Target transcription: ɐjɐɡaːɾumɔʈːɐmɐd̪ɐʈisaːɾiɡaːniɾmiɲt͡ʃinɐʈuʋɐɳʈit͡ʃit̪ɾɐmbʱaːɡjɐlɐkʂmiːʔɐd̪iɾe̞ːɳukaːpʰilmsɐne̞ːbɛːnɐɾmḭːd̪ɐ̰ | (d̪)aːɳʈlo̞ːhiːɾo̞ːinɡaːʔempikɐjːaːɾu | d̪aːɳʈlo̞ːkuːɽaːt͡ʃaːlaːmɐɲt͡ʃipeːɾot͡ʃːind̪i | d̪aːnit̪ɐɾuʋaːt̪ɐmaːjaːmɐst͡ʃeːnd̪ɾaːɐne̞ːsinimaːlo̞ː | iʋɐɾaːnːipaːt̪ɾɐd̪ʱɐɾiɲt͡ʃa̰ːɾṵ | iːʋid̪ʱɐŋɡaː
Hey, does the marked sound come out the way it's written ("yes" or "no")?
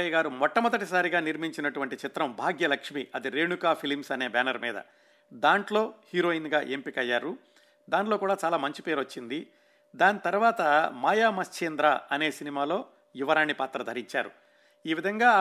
yes